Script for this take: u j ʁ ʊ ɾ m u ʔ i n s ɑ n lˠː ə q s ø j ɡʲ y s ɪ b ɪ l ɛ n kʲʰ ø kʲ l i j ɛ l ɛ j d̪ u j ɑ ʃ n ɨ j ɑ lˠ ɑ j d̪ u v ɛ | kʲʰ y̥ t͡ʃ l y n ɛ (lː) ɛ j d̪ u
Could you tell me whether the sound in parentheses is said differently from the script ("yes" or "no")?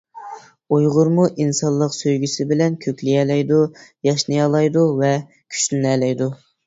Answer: yes